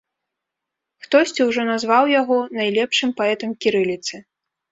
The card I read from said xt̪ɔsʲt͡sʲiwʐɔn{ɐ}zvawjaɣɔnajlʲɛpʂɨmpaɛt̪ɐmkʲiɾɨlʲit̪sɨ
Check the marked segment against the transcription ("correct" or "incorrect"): incorrect